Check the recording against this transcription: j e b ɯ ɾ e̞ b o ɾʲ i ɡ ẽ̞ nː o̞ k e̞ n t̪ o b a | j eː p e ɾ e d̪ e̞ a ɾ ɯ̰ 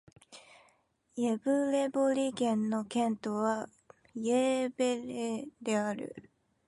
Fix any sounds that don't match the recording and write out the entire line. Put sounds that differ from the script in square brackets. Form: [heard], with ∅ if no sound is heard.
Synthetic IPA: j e b ɯ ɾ e̞ b o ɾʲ i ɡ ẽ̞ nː o̞ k [ẽ̞] n t̪ o [β] a | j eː [b] e ɾ e d̪ e̞ a ɾ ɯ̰